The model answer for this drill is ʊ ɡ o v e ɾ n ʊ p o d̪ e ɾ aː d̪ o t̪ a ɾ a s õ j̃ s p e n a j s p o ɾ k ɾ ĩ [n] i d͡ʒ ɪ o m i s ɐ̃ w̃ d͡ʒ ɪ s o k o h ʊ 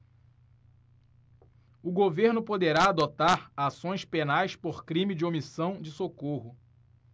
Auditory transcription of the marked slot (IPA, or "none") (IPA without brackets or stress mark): m